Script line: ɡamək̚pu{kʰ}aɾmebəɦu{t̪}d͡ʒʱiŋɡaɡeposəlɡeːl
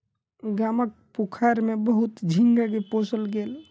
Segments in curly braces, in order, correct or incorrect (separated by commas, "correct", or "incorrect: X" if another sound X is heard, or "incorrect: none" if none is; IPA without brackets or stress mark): correct, correct